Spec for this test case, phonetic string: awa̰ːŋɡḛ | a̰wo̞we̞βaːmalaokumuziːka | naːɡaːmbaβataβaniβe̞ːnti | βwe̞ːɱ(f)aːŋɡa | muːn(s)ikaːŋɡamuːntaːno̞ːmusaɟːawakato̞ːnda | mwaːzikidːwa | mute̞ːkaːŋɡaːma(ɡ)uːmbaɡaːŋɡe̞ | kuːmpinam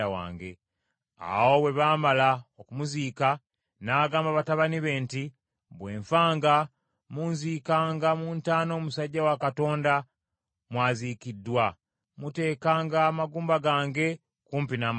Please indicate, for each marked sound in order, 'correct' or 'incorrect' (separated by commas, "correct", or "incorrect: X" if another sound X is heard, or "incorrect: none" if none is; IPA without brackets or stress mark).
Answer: correct, incorrect: z, correct